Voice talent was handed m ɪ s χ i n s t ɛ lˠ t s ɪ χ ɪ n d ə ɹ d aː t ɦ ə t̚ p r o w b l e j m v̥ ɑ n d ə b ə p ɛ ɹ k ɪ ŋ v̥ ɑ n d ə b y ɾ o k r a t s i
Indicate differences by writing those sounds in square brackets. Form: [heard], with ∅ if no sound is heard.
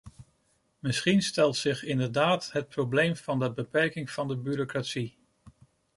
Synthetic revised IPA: m ɪ s χ i n s t ɛ lˠ t s ɪ χ ɪ n d ə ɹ d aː t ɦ ə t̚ p r o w b l e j m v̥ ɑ n d ə b ə p ɛ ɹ k ɪ ŋ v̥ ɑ n d ə b y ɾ o k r a t s i